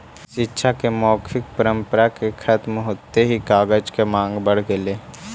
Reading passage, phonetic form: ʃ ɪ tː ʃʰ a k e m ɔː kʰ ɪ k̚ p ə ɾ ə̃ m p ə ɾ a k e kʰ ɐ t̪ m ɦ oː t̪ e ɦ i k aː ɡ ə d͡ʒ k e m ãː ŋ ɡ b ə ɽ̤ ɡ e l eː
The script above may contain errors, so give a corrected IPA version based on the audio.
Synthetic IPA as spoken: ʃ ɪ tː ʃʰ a k e m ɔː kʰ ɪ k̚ p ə ɾ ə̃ m p ə ɾ a k e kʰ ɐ t̪ m ɦ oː t̪ e ɦ i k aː ɡ ə d͡ʒ k e m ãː ŋ ɡ b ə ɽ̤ ɡ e l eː

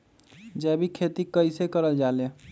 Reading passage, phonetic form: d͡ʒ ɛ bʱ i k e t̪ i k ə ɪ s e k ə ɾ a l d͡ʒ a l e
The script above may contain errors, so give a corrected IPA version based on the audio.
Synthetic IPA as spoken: d͡ʒ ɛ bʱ i kʰ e t̪ i k ə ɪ s e k ə ɾ ə l d͡ʒ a l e

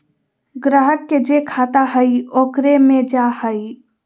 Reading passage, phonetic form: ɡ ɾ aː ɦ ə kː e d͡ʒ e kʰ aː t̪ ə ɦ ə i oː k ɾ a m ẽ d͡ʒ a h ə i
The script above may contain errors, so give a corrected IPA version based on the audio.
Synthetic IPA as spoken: ɡ ɾ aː ɦ ə kː e d͡ʒ e kʰ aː t̪ a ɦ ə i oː k ɾ e m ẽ d͡ʒ a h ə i

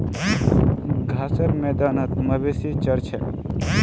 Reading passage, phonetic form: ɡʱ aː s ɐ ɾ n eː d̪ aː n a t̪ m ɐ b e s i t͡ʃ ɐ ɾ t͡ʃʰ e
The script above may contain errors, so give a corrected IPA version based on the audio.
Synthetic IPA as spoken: ɡʱ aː s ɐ ɾ m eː d̪ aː n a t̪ m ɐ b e s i t͡ʃ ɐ ɾ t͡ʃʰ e

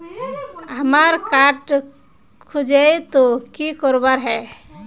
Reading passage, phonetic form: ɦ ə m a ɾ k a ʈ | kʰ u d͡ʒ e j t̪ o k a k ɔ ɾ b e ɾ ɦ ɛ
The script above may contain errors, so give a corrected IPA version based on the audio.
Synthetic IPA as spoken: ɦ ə m a ɾ k a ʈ | kʰ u d͡ʒ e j t̪ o k i k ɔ ɾ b a ɾ ɦ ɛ

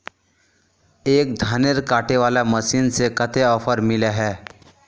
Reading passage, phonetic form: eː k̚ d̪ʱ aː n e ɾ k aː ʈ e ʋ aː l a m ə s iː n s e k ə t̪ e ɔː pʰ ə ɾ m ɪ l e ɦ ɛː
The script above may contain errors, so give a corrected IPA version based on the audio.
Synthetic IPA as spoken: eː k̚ d̪ʱ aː n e ɾ k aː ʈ e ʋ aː l a m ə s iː n s e k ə t̪ e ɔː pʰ ə ɾ m ɪ l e ɦ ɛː

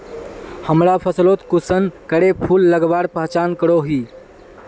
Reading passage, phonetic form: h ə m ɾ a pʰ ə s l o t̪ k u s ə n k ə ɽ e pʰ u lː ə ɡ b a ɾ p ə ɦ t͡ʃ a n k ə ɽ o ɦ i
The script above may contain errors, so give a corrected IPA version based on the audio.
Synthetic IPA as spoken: h ə m ɾ a pʰ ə s l o t̪ k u s ə n k ə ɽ e pʰ u lː ə ɡ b a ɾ p ə ɦ t͡ʃ a n k ə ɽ o ɦ i

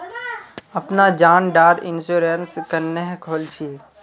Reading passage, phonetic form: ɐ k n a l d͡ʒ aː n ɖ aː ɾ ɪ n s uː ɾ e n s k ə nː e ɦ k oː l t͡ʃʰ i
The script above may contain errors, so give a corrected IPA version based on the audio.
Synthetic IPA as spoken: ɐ p n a d͡ʒ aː n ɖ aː ɾ ɪ n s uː ɾ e n s k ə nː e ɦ kʰ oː l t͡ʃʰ i

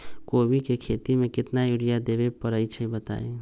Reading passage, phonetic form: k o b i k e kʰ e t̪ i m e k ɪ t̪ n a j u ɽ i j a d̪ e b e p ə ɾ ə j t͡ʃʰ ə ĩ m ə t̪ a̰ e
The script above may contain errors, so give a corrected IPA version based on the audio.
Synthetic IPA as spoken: k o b i k e kʰ e t̪ i m e k ɪ t̪ n a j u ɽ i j a d̪ e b e p ə ɾ ə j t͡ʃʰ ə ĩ b ə t̪ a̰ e

